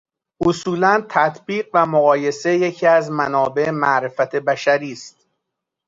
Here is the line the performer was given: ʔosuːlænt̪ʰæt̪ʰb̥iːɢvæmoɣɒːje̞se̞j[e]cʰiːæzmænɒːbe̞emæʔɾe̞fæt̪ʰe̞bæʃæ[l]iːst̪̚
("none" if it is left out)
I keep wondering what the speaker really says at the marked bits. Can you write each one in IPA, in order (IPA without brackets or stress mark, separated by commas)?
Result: e, ɾ